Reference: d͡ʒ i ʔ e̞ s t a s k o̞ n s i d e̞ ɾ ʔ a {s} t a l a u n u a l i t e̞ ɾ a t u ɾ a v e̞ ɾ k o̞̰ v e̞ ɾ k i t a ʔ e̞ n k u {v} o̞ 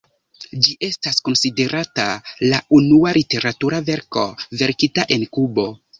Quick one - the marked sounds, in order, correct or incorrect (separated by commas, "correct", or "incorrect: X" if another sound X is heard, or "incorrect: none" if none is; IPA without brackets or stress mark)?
incorrect: none, incorrect: b